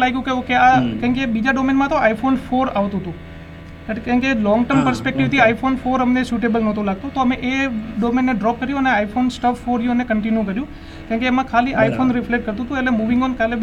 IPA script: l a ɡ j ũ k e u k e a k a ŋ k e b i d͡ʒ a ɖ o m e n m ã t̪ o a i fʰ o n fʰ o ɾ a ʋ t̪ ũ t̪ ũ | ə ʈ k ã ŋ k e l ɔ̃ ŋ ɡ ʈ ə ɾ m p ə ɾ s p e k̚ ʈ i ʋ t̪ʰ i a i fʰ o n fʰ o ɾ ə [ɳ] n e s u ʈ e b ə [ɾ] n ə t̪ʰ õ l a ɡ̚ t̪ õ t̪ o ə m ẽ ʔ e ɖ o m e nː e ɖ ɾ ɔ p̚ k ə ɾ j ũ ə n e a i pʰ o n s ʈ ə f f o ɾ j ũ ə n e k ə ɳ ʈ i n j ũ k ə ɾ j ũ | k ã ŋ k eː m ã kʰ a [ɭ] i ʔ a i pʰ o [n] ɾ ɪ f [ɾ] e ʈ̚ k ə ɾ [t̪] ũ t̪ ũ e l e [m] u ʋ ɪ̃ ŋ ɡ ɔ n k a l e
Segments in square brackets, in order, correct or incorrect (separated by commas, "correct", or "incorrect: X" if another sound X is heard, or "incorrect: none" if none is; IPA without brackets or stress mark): incorrect: m, incorrect: l, incorrect: l, correct, incorrect: l, correct, correct